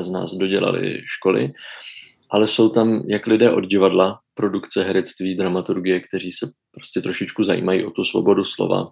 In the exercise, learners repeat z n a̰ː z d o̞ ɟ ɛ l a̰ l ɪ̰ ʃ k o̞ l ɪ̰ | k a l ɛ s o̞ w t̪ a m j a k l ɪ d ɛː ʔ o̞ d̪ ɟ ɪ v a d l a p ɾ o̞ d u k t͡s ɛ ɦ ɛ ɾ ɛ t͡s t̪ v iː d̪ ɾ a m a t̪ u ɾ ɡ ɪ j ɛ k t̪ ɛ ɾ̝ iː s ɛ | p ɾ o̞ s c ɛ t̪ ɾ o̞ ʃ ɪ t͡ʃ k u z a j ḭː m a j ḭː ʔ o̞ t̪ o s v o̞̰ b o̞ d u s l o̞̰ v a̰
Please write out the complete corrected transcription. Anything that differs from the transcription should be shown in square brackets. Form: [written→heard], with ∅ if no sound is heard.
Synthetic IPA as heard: z n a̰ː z d o̞ ɟ ɛ l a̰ l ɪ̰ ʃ k o̞ l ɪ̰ | [k→ʔ] a l ɛ s o̞ w t̪ a m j a k l ɪ d ɛː ʔ o̞ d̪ ɟ ɪ v a d l a p ɾ o̞ d u k t͡s ɛ ɦ ɛ ɾ ɛ t͡s t̪ v iː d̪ ɾ a m a t̪ u ɾ ɡ ɪ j ɛ k t̪ ɛ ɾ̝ iː s ɛ | p ɾ o̞ s c ɛ t̪ ɾ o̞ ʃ ɪ t͡ʃ k u z a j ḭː m a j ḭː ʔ o̞ t̪ [o→u] s v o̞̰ b o̞ d u s l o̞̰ v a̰